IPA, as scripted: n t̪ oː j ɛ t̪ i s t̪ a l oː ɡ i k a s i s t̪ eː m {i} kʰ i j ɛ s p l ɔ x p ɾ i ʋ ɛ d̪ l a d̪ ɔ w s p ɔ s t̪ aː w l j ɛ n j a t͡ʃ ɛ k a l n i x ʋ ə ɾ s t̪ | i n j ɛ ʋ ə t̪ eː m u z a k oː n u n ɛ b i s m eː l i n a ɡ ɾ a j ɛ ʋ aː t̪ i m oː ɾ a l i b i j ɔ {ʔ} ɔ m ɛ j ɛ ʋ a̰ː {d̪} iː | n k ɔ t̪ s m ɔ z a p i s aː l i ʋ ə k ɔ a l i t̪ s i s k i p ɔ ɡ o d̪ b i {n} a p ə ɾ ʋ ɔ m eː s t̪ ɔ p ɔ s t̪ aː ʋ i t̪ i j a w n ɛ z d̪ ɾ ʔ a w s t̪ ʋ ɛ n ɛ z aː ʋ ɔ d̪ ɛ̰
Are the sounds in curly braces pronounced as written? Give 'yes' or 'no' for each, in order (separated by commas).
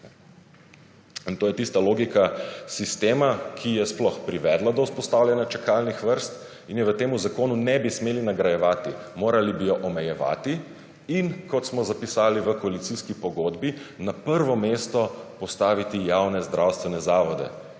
no, yes, no, yes